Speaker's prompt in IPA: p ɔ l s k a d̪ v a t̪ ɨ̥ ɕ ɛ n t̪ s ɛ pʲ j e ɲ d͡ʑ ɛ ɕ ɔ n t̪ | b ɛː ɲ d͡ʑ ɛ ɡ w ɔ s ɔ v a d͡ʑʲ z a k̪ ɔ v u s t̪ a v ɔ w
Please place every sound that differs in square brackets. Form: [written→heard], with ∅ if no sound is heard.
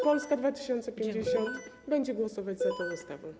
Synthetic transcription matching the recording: p ɔ l s k a d̪ v a t̪ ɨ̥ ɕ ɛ n t̪ s ɛ pʲ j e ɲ d͡ʑ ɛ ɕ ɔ n t̪ | b [ɛː→ɛ] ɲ d͡ʑ ɛ ɡ w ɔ s ɔ v a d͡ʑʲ z a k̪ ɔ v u s t̪ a v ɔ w